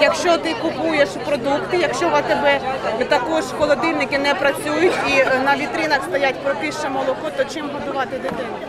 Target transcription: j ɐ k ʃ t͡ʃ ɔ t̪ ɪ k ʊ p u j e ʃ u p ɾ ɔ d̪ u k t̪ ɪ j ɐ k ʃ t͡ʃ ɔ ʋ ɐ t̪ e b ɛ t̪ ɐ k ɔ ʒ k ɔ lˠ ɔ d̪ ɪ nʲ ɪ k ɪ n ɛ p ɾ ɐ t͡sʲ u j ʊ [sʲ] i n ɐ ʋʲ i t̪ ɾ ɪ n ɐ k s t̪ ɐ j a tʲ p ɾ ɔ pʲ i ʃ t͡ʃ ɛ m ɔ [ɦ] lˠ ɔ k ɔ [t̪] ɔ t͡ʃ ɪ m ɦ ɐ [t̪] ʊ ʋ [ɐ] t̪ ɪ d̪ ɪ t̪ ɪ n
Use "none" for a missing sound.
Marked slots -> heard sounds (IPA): tʲ, none, t̪, d̪, ɑ

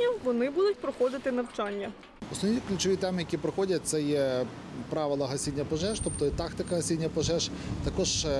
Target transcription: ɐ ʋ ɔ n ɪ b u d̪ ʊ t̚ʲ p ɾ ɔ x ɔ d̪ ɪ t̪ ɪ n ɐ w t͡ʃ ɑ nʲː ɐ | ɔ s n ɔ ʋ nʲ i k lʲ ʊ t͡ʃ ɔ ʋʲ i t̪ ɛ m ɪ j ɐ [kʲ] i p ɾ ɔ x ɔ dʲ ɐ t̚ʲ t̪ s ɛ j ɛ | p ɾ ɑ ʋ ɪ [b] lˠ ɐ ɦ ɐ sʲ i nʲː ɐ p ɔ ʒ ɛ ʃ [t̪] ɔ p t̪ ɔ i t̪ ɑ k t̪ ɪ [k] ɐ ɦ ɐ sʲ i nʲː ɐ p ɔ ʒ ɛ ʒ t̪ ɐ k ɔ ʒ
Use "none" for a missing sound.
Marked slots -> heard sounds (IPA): kʲ, none, t̪, k

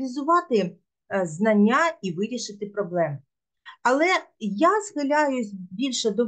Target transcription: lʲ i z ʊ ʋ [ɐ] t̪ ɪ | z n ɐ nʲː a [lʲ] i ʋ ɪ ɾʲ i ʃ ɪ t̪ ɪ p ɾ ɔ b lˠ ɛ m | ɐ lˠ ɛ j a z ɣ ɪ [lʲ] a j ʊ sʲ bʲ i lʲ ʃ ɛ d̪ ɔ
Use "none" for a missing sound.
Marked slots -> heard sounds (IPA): ɑ, none, lʲ

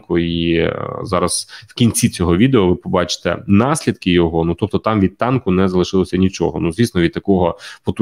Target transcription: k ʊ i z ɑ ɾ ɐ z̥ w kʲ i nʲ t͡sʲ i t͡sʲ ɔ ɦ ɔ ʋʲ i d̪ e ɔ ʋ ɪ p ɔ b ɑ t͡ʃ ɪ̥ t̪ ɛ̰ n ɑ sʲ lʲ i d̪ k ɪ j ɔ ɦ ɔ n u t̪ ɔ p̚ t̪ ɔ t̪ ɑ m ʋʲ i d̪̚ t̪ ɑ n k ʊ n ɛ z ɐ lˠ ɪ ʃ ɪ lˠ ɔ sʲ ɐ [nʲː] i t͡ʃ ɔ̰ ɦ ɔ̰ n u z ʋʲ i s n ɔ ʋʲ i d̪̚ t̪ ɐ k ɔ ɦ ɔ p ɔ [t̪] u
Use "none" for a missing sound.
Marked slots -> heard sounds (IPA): nʲ, t̪

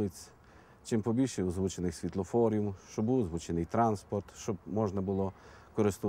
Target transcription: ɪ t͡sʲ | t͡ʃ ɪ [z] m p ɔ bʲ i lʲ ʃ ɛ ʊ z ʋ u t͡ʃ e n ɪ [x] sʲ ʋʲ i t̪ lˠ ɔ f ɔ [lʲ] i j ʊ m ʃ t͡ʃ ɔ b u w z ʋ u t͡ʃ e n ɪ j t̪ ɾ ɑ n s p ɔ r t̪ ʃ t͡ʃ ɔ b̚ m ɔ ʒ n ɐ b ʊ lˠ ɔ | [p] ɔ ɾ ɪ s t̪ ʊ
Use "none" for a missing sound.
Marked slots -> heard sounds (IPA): none, x, ɾʲ, k

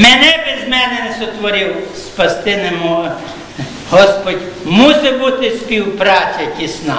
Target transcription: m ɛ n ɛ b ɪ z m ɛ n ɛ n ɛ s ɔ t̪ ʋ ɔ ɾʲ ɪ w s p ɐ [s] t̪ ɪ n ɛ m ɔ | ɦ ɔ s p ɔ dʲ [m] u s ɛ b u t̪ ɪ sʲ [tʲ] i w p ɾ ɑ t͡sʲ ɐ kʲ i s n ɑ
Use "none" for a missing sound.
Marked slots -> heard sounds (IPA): s, m, pʲ

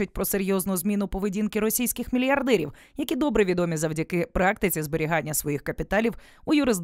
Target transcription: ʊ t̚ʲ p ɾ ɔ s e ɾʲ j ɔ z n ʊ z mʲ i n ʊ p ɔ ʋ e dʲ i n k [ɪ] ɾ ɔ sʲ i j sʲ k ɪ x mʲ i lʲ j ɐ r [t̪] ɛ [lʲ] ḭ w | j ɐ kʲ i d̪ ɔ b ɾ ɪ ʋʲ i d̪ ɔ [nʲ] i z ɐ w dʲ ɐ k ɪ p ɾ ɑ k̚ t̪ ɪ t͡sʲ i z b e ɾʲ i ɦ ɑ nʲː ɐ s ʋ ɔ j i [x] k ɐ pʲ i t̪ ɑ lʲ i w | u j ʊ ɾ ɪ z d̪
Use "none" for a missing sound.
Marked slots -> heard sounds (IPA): ɪ, d̪, ɾʲ, mʲ, x

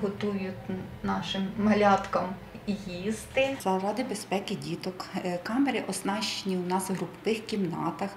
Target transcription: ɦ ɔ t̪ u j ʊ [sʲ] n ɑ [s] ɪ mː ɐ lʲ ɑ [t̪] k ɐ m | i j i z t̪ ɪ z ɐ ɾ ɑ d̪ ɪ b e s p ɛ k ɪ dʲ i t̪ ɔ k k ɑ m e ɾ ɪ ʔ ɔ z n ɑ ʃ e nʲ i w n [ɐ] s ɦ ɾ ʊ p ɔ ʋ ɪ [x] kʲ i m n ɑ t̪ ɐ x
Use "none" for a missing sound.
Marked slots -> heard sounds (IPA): tʲ, ʃ, t̪, ɑ, x

